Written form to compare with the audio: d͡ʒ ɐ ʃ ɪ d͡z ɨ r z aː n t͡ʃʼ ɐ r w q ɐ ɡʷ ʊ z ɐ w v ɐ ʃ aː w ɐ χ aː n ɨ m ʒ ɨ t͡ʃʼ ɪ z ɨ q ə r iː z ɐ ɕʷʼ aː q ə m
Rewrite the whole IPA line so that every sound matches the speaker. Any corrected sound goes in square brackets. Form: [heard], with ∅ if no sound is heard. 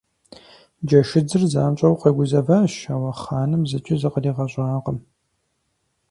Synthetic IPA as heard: d͡ʒ ɐ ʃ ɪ d͡z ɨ r z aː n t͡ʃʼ ɐ [∅] w q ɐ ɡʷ ʊ z ɐ [∅] v ɐ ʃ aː w ɐ χ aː n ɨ m [z] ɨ t͡ʃʼ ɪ z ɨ q ə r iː [ʁ] ɐ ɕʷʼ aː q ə m